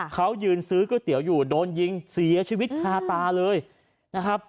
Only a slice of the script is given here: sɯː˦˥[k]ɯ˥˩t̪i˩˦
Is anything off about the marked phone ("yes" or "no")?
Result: no